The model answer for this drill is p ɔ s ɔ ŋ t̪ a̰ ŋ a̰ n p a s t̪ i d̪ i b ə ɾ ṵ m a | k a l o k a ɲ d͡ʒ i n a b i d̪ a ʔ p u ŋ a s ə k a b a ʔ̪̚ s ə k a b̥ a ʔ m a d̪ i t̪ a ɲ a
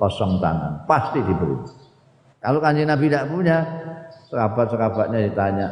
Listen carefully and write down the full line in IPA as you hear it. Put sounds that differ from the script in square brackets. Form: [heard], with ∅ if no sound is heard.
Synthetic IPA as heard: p ɔ s ɔ ŋ t̪ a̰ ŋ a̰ n p a s t̪ i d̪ i b ə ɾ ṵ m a | k a l o k a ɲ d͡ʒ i n a b i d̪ a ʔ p u [ɲ] a s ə k a b a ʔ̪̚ s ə k a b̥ a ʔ [ɲ] a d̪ i t̪ a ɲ a